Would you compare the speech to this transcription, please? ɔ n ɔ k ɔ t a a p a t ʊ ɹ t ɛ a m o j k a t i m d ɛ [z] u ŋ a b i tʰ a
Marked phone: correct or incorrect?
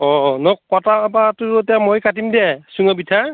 incorrect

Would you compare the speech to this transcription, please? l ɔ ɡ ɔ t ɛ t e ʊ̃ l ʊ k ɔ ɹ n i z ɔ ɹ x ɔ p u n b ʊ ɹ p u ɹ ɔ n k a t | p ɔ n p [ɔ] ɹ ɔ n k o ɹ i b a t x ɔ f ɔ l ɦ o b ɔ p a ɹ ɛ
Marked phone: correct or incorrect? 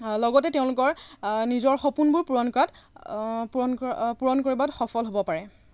incorrect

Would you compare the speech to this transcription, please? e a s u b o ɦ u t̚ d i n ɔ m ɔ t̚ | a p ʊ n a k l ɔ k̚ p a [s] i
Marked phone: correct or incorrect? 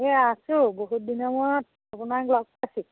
correct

